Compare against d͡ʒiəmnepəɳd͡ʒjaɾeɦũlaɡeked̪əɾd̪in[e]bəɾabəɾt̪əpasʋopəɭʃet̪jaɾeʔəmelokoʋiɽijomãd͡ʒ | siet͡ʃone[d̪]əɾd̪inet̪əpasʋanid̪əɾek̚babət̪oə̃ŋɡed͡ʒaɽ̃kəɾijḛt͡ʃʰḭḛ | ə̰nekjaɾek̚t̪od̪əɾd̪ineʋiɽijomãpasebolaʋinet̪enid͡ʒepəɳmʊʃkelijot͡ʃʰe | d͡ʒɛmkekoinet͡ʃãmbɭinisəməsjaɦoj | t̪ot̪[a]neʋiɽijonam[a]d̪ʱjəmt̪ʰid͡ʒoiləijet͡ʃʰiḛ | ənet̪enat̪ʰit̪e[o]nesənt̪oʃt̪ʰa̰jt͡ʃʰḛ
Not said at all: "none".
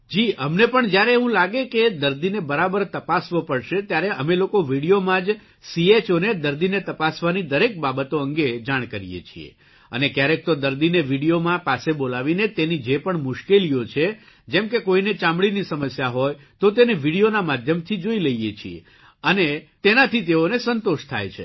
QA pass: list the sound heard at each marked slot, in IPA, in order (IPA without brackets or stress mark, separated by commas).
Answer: e, d̪, e, a, o